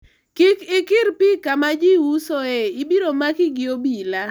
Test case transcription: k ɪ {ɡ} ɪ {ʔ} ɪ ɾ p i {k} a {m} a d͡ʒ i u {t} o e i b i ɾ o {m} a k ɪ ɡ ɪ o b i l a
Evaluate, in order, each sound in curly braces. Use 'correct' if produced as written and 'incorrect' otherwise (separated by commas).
incorrect, incorrect, correct, correct, incorrect, correct